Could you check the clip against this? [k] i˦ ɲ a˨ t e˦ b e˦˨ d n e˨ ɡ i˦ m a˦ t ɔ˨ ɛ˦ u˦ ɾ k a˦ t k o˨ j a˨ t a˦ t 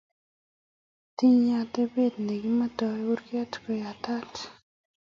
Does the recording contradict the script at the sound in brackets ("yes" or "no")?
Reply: yes